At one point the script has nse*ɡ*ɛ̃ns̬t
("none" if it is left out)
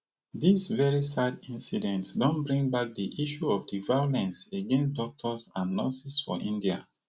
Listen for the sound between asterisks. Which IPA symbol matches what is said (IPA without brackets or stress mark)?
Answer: ɡ